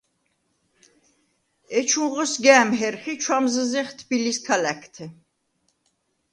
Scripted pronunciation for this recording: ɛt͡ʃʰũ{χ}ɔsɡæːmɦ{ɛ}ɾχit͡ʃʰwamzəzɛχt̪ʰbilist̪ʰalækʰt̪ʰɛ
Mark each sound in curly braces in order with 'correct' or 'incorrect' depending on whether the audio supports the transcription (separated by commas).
incorrect, correct